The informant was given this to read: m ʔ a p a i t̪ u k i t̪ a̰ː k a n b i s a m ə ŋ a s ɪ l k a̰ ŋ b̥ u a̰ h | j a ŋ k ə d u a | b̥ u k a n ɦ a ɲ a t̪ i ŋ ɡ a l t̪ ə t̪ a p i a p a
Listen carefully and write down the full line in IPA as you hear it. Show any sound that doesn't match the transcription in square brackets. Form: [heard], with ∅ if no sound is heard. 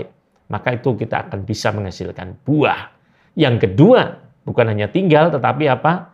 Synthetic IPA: m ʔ a [k] a i t̪ u k i t̪ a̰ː k a n b i s a m ə ŋ a s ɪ l k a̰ [n] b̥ u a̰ h | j a ŋ k ə d u a | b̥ u k a n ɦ a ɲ a t̪ i ŋ ɡ a l t̪ ə t̪ a p i a p a